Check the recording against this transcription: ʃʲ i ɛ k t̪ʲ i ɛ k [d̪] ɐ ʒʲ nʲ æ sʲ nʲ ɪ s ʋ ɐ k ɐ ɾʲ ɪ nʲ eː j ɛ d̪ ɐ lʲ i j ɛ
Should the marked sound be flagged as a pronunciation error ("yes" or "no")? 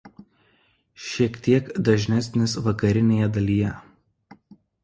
no